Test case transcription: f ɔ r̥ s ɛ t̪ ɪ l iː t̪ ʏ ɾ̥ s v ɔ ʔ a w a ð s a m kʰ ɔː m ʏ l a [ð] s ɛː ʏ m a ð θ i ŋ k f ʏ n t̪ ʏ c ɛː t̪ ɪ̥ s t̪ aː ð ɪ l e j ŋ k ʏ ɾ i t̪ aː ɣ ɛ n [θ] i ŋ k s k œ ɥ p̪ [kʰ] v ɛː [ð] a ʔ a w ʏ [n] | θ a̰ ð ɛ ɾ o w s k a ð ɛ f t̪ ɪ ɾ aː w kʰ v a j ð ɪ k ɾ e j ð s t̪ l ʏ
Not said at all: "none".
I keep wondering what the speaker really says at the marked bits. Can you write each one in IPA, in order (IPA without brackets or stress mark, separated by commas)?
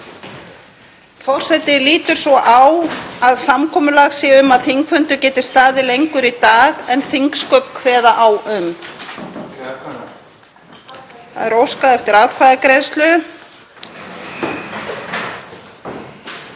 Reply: ɣ, θ, kʰ, ð, m